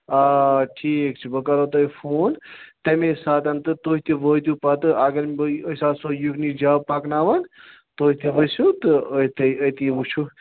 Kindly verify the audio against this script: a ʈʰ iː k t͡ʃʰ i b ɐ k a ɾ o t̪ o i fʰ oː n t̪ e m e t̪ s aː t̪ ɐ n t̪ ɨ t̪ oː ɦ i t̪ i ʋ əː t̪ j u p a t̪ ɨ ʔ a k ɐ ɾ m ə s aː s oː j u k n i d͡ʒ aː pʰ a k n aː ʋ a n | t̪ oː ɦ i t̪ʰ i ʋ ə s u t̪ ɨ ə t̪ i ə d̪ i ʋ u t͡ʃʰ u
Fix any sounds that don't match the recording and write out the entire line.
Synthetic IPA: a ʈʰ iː k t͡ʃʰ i b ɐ k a ɾ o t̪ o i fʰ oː n t̪ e m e s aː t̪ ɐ n t̪ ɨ t̪ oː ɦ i t̪ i ʋ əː t̪ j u p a t̪ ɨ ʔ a ɡ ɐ ɾ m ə s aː s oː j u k n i d͡ʒ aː p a k n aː ʋ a n | t̪ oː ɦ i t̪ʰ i ʋ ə s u t̪ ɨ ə t̪ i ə t̪ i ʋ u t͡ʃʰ u